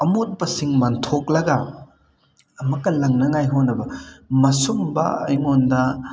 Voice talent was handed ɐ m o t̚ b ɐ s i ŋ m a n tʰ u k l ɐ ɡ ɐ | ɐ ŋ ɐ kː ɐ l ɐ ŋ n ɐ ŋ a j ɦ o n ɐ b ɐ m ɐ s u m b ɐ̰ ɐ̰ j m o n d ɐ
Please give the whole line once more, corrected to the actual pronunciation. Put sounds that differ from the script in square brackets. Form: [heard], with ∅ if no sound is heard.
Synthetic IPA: ɐ m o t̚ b ɐ s i ŋ m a n tʰ [o] k l ɐ ɡ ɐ | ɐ [m] ɐ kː ɐ l ɐ ŋ n ɐ ŋ a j ɦ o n ɐ b ɐ m ɐ s u m b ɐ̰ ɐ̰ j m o n d ɐ